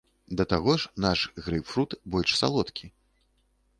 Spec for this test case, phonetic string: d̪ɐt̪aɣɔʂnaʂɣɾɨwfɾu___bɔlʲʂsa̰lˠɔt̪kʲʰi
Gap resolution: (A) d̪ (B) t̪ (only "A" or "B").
B